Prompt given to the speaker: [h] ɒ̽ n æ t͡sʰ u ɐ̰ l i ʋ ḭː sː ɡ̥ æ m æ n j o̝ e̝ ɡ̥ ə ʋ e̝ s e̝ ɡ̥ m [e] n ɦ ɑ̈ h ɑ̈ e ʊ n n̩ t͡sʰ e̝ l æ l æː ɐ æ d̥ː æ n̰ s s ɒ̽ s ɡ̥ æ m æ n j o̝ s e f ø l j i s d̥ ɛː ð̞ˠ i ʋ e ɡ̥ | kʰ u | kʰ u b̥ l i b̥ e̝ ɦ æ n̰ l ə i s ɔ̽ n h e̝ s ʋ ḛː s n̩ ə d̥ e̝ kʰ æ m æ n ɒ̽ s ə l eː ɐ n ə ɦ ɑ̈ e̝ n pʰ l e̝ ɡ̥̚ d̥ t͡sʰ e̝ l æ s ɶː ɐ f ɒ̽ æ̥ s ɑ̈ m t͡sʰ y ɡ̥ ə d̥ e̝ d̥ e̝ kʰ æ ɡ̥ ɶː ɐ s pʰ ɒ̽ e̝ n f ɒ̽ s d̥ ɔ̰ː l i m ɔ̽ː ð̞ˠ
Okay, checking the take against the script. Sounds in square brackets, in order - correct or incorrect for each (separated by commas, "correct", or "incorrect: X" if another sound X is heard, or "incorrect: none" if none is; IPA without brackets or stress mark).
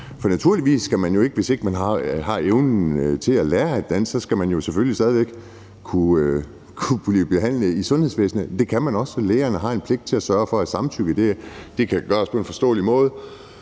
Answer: incorrect: f, incorrect: æ